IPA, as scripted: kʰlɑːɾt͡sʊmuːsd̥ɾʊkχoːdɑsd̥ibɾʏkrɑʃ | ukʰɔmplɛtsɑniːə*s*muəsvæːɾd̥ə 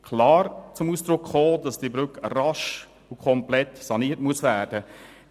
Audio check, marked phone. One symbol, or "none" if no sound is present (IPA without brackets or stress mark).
t